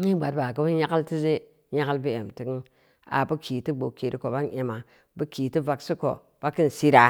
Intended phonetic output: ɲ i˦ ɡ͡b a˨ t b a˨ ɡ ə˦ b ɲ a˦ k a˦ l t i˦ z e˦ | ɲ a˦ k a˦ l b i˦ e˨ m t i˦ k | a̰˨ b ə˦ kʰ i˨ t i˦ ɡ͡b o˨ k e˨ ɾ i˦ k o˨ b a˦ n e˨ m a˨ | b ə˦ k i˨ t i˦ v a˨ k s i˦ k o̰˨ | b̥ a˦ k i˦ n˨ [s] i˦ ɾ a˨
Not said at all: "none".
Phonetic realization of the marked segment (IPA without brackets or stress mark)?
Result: s